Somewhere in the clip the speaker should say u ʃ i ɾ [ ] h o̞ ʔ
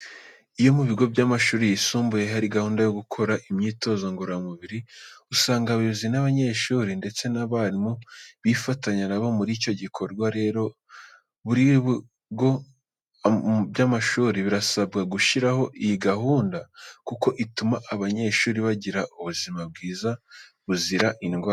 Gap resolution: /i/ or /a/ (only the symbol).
a